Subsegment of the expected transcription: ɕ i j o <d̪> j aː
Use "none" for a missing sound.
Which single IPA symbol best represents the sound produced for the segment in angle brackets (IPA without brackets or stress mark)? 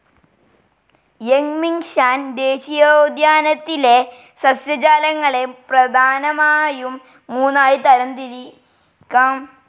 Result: d̪